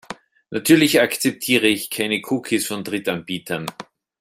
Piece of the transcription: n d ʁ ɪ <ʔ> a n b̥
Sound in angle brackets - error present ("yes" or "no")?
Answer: yes